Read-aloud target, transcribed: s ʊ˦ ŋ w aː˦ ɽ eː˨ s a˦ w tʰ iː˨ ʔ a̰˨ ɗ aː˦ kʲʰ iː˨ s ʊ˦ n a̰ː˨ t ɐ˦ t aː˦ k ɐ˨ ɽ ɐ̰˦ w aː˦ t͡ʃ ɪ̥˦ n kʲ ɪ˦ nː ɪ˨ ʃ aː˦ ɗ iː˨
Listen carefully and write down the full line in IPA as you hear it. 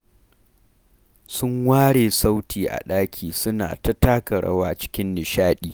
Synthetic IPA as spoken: s ʊ˦ ŋ w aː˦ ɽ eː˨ s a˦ w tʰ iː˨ ʔ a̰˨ ɗ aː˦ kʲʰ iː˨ s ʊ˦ n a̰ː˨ t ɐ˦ t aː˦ k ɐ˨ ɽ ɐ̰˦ w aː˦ t͡ʃ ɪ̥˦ kʲ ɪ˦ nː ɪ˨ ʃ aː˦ ɗ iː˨